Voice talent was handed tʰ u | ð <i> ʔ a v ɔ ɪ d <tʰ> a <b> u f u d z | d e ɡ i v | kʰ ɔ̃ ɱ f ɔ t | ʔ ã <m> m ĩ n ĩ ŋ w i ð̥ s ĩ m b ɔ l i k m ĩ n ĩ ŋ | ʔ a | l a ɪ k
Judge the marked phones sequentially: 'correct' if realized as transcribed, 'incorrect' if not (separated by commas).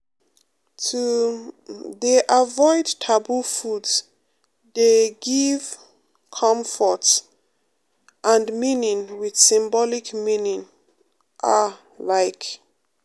incorrect, correct, correct, incorrect